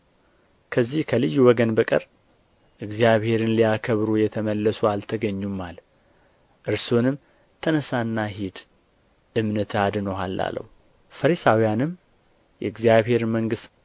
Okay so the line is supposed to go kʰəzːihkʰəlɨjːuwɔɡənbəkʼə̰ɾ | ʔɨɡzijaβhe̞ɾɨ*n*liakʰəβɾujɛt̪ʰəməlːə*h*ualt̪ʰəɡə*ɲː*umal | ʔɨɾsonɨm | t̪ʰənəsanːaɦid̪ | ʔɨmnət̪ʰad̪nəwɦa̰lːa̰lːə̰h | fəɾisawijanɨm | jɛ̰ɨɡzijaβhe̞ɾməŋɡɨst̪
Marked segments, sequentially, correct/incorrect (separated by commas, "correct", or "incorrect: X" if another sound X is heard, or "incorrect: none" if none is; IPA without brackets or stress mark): correct, incorrect: s, correct